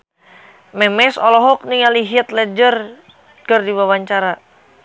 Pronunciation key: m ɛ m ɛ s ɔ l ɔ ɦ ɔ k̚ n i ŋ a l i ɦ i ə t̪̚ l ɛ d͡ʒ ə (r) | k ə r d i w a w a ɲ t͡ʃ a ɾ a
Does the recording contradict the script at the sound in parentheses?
no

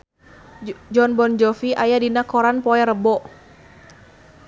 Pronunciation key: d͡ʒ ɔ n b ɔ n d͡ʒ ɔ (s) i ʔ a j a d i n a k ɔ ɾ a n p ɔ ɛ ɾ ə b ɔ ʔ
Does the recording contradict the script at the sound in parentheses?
yes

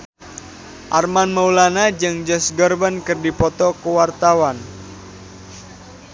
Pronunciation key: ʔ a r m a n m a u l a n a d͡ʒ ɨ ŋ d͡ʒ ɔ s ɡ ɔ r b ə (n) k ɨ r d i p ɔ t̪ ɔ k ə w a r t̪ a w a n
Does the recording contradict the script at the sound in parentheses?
no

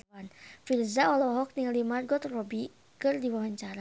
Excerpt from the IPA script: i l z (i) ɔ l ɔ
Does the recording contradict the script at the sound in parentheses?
yes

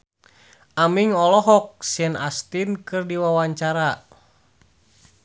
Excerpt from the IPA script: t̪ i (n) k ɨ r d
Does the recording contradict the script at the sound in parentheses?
no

